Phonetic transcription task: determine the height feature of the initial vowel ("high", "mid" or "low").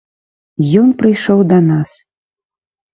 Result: mid